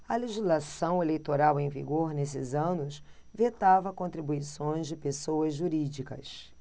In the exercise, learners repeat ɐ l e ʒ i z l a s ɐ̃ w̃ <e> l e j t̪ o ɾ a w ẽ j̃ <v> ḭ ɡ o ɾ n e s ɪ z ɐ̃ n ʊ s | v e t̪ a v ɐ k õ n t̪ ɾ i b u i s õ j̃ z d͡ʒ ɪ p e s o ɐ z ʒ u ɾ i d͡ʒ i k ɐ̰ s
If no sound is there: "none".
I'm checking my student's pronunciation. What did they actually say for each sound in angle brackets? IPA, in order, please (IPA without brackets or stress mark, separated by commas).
e, v